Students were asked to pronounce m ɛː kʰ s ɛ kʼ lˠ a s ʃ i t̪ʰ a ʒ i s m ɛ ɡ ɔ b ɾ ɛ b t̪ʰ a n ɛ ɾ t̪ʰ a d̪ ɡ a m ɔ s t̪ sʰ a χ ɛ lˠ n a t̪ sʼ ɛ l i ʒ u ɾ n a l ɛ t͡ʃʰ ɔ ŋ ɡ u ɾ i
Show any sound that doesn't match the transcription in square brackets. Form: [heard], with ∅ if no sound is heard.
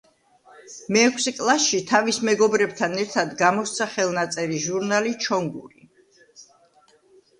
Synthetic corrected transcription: m ɛː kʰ s ɛ kʼ lˠ a s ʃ i t̪ʰ a [v] i s m ɛ ɡ ɔ b ɾ ɛ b t̪ʰ a n ɛ ɾ t̪ʰ a d̪ ɡ a m ɔ s t̪ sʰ a χ ɛ lˠ n a t̪ sʼ ɛ [ɾ] i ʒ u ɾ n a l [i] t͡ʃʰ ɔ ŋ ɡ u ɾ i